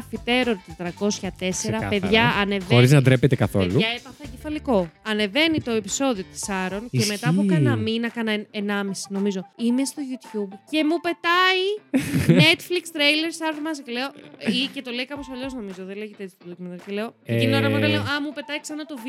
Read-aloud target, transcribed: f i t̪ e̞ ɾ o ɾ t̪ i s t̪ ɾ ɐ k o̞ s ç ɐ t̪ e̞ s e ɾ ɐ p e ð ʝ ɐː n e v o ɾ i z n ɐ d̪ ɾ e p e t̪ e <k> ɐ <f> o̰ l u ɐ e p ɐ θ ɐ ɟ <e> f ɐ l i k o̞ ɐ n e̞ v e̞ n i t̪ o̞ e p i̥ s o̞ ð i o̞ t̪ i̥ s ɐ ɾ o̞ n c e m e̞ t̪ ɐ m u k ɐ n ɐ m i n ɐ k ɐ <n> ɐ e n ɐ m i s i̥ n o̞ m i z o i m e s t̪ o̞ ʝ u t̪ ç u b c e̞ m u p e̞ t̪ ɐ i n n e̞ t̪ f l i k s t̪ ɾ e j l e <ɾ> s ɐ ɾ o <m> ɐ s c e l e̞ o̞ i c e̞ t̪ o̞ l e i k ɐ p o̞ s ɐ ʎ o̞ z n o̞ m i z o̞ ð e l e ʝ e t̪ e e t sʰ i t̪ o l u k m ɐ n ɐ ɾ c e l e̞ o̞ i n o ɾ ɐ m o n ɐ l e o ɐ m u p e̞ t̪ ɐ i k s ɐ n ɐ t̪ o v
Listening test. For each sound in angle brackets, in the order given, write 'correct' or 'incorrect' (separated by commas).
correct, incorrect, correct, correct, correct, correct